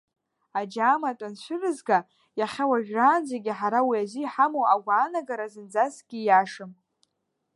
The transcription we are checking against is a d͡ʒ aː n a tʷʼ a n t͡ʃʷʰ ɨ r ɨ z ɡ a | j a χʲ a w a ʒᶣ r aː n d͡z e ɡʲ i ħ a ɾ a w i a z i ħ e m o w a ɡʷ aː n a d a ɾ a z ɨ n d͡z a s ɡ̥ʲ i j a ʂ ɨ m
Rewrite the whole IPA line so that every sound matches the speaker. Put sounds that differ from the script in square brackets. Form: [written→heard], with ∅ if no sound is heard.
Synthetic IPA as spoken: a d͡ʒ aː [n→m] a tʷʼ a n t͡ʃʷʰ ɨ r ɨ z ɡ a | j a χʲ a w a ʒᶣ r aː n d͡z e ɡʲ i ħ a ɾ a w i a z i ħ [e→a] m o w a ɡʷ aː n a [d→ɡ] a ɾ a z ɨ n d͡z a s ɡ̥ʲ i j a ʂ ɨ m